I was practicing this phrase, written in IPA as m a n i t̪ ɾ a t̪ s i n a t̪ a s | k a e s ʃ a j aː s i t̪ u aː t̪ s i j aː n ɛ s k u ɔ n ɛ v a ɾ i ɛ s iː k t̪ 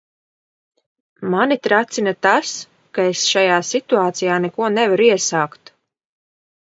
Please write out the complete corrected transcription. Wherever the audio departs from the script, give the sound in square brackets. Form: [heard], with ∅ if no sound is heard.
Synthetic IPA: m a n i t̪ ɾ a t̪ s i n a t̪ a s | k a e s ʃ a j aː s i t̪ u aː t̪ s i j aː n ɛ [∅] k u ɔ n ɛ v a ɾ i ɛ s [aː] k t̪